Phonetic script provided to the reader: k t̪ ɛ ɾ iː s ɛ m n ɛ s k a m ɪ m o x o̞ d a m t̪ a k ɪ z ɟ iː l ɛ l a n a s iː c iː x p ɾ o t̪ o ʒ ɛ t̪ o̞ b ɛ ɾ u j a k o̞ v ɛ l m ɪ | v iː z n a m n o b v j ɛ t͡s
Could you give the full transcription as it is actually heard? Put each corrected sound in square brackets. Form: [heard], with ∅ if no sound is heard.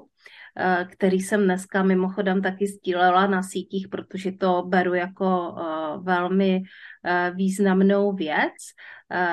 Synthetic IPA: k t̪ ɛ ɾ iː s ɛ m n ɛ s k a m ɪ m o x o̞ d [ɛ] m t̪ a k ɪ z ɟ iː l ɛ l a n a s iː c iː x p ɾ o t̪ o ʒ ɛ t̪ o̞ b ɛ ɾ u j a k o̞ v ɛ l m ɪ | v iː z n a m n o [w] v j ɛ t͡s